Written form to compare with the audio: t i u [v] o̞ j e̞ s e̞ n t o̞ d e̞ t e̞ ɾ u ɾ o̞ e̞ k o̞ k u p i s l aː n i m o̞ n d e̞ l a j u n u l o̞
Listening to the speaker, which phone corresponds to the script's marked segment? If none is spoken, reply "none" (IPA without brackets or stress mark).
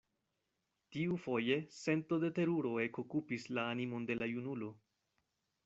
f